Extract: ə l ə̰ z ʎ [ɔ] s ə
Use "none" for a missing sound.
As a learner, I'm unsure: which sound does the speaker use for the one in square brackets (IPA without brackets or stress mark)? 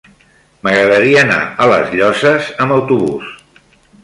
ɔ